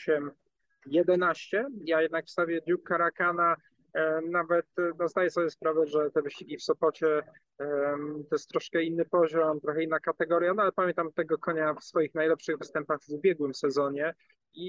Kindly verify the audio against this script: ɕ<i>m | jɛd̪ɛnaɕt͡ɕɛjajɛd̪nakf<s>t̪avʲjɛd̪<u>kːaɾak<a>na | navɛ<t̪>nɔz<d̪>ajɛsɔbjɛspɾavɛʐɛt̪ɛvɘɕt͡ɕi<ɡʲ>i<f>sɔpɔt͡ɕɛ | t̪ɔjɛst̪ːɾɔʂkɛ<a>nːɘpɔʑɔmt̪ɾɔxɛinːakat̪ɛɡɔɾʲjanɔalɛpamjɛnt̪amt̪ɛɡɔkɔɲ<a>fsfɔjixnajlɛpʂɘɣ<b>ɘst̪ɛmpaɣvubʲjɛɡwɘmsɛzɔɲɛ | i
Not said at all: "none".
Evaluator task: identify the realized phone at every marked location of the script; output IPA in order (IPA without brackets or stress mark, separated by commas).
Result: ɛ, s, u, a, t̪, d̪, ɡʲ, f, i, a, v